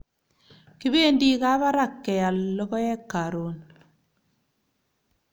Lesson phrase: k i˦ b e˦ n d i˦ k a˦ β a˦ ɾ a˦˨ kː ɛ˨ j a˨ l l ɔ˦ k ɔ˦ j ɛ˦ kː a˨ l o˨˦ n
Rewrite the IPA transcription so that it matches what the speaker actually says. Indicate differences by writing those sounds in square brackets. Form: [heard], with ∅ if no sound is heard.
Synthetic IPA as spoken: k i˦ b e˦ n d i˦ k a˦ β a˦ ɾ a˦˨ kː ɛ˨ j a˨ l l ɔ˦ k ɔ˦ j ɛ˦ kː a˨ [ɾ] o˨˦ n